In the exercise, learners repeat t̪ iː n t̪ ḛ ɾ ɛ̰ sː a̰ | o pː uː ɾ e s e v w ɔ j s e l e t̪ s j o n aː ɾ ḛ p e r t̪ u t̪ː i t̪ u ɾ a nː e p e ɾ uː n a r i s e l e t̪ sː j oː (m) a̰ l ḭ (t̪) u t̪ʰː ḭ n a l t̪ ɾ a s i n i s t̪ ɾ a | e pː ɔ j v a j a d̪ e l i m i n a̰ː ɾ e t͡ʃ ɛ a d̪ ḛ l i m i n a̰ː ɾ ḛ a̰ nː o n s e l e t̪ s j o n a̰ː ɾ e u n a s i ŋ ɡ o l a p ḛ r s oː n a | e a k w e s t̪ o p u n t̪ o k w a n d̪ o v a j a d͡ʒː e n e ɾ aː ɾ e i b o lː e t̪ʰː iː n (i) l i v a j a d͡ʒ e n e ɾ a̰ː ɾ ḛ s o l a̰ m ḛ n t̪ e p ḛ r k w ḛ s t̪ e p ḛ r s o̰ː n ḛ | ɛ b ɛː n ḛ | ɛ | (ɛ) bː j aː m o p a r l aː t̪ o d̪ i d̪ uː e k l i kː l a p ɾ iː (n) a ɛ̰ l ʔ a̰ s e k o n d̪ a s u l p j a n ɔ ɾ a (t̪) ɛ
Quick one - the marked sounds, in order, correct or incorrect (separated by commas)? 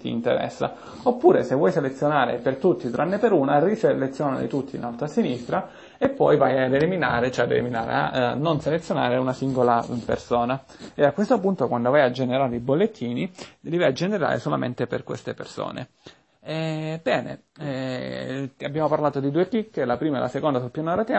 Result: incorrect, correct, correct, incorrect, incorrect, correct